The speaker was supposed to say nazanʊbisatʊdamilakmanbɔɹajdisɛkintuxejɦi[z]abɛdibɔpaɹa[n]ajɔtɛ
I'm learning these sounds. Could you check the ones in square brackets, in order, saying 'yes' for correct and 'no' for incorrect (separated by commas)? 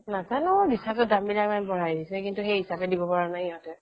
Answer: no, yes